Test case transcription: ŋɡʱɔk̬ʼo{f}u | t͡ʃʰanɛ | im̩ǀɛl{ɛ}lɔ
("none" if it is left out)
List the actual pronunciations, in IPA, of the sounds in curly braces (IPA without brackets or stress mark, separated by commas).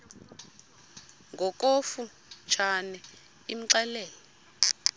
f, ɛː